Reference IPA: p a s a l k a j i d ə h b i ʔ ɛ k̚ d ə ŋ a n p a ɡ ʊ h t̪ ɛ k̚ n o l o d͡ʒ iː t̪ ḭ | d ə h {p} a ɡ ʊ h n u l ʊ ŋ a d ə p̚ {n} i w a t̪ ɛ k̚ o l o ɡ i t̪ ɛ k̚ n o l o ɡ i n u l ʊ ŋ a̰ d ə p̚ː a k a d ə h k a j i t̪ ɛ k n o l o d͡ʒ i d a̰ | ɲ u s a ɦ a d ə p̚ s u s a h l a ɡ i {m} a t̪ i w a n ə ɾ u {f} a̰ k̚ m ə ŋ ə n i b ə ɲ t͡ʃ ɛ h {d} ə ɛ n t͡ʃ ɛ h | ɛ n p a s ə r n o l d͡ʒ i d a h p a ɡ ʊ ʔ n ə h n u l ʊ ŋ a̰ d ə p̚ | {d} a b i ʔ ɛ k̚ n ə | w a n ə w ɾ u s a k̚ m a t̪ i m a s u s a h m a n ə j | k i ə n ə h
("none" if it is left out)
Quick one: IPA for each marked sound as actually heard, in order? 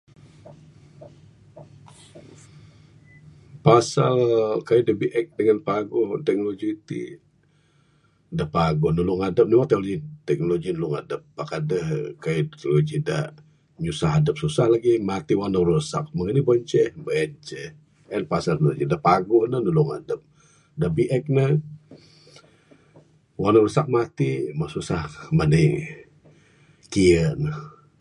p, n, m, s, b, d

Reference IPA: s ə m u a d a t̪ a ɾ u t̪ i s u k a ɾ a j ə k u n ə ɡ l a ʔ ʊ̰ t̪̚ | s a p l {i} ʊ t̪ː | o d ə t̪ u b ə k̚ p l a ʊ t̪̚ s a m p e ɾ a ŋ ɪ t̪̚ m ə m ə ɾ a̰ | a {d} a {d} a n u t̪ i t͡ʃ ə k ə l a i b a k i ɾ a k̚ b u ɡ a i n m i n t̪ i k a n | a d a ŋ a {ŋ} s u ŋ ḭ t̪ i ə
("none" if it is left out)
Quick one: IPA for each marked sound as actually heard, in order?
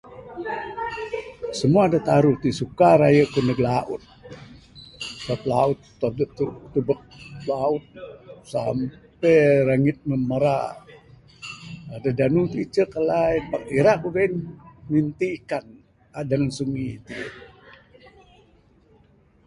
a, d, d, n

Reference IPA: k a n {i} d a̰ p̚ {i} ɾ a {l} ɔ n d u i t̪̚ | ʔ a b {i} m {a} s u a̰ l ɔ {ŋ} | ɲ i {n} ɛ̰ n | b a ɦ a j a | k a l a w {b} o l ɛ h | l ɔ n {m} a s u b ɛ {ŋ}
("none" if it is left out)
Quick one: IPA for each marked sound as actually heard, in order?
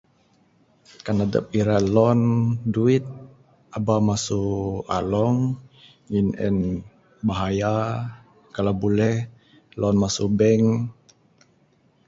a, i, l, a, a, ŋ, n, b, m, ŋ

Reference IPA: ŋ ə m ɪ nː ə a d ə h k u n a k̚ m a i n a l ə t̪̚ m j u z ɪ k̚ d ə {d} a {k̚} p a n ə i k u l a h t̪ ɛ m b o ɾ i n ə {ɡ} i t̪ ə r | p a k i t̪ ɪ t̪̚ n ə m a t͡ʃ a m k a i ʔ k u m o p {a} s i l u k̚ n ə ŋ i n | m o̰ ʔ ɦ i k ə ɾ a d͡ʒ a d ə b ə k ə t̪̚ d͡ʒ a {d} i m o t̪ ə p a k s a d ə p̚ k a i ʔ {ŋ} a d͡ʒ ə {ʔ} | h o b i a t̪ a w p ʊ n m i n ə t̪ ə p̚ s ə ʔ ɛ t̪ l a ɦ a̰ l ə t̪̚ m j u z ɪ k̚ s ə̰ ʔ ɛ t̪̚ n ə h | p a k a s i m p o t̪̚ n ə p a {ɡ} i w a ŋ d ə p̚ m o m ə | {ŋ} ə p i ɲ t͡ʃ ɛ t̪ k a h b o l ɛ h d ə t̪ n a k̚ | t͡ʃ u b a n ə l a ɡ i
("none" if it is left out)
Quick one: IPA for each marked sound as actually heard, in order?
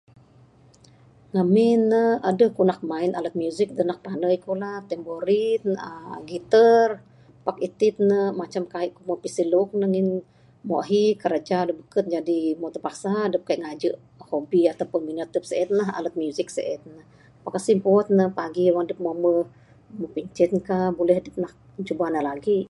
n, k̚, ɡ, i, d, ŋ, ʔ, ɡ, m

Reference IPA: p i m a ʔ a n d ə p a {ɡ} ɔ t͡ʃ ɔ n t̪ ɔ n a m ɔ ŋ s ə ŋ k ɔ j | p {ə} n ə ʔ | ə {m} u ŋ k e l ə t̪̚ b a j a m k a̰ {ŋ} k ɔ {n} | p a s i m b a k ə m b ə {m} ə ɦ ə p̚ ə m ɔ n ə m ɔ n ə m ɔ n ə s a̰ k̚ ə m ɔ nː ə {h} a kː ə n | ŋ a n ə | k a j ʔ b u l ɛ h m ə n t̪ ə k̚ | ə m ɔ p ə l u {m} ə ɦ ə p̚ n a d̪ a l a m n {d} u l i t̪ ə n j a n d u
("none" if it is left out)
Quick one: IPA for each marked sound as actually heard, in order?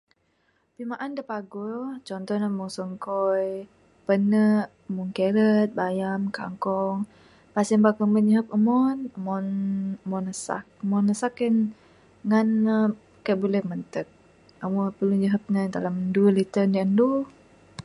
ɡ, ə, m, ŋ, ŋ, ɲ, s, ɲ, d

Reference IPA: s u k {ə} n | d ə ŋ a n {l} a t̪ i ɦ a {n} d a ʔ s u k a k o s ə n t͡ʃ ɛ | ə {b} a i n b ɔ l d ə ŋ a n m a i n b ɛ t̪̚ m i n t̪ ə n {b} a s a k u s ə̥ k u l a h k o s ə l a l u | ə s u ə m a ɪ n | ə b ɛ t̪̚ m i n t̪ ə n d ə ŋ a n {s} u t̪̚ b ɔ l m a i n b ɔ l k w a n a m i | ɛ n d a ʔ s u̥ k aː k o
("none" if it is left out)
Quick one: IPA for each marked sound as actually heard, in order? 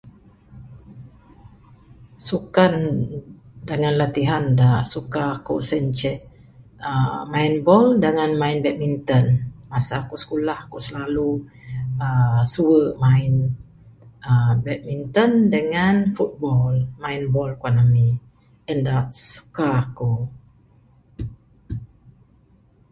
a, l, n, m, m, f

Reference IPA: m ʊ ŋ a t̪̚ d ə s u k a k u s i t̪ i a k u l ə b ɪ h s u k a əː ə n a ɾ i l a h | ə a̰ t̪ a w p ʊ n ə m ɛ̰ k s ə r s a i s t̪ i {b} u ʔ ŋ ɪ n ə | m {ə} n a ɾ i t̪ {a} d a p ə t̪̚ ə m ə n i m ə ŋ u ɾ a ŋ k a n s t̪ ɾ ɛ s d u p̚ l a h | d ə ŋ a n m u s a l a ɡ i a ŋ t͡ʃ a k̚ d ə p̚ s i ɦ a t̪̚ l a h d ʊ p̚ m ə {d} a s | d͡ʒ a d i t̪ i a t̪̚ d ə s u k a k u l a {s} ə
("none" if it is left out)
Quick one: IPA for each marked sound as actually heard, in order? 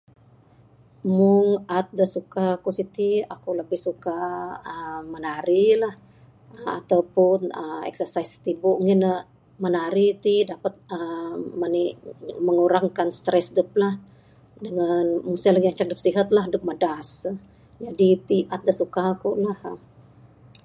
b, ə, i, d, h

